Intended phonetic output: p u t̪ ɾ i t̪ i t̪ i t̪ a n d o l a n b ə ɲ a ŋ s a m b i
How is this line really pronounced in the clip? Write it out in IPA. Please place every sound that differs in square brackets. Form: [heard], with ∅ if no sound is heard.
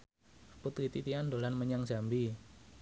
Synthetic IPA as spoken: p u t̪ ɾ i t̪ i t̪ i [∅] a n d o l a n [m] ə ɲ a ŋ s a m b i